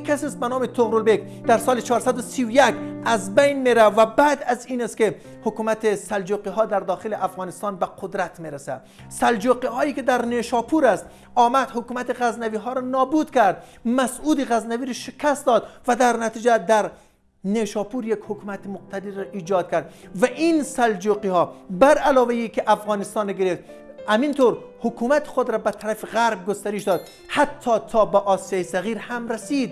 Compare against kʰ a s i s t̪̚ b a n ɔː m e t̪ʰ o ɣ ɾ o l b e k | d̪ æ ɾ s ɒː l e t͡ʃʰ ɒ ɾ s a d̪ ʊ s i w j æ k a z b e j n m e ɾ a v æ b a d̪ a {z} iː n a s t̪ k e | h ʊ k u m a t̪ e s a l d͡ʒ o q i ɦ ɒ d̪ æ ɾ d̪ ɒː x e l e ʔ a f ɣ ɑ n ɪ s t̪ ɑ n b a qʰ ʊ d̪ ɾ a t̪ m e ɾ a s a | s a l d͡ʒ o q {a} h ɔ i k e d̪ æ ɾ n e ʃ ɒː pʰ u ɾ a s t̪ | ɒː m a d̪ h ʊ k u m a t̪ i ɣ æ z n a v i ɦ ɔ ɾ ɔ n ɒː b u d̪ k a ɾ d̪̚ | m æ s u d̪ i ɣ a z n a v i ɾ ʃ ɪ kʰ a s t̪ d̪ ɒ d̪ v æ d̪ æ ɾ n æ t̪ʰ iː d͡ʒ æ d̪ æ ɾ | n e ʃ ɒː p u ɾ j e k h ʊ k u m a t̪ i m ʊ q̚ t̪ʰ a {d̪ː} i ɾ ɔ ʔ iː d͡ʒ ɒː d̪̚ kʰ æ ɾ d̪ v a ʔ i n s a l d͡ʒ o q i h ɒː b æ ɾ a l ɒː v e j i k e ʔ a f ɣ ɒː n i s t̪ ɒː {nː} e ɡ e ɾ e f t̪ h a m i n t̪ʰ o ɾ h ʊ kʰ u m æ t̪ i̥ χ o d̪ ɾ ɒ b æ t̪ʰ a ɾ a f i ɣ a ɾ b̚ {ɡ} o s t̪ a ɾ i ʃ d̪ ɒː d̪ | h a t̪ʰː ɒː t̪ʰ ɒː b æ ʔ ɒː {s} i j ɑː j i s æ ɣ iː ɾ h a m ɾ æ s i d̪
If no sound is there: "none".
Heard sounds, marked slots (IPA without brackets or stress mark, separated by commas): z, i, d̪, n, ɡ, s